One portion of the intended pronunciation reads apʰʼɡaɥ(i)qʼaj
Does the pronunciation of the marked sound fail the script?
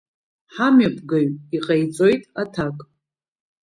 no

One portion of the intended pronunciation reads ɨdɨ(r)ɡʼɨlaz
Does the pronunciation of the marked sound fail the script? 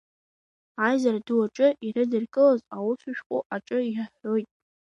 no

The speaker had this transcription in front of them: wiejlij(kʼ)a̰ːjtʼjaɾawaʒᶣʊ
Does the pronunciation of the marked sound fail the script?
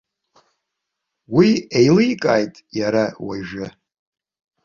no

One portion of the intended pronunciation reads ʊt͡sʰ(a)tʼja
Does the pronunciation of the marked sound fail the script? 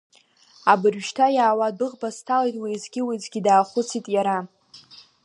yes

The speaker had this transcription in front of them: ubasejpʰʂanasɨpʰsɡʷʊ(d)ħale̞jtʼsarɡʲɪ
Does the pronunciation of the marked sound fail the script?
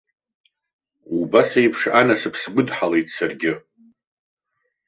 no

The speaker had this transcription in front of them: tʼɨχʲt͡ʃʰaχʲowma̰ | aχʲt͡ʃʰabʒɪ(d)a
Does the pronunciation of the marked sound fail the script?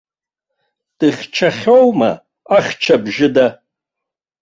no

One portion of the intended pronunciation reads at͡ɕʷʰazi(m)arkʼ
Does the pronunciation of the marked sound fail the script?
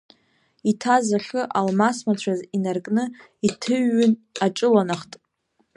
yes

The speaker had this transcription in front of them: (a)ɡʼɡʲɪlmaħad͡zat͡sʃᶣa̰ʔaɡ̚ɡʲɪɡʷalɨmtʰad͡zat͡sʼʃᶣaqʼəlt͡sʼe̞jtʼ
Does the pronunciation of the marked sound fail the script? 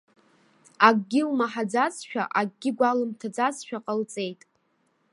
no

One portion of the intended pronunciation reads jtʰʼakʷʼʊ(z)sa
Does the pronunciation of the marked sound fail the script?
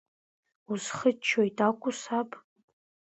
yes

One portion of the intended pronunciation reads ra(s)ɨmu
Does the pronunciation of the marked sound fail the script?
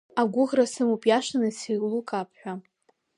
no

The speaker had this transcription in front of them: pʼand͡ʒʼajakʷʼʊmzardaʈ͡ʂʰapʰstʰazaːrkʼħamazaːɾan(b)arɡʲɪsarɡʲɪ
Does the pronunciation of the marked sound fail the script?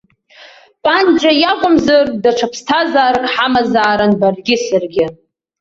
no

